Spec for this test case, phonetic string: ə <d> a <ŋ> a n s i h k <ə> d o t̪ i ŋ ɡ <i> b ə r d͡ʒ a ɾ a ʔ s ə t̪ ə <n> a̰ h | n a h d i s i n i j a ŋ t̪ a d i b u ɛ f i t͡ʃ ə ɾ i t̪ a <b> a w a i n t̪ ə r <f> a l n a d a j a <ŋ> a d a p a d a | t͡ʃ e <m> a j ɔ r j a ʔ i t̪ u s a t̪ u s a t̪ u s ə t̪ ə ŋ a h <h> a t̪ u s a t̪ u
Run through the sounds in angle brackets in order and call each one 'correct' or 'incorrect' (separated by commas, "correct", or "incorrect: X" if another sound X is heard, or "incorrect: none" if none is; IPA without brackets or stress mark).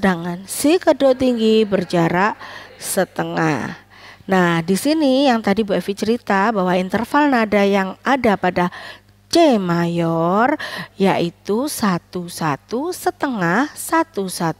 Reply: correct, correct, correct, correct, incorrect: ŋ, correct, correct, correct, correct, incorrect: s